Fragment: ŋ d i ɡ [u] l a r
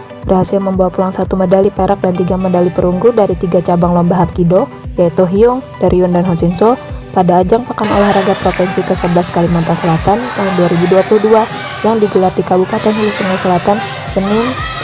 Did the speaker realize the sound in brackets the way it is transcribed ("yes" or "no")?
yes